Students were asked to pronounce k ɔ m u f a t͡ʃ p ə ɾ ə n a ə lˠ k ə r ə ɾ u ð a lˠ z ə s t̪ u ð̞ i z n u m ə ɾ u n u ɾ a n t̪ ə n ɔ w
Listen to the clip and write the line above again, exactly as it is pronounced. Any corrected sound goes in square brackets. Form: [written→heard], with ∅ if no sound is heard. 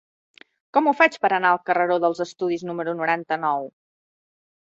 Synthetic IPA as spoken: k ɔ m u f a t͡ʃ p ə ɾ ə n a ə lˠ k ə r ə ɾ [u→o] ð [a→ə] lˠ z ə s t̪ u ð̞ i z n u m ə ɾ u n u ɾ a n t̪ ə n ɔ w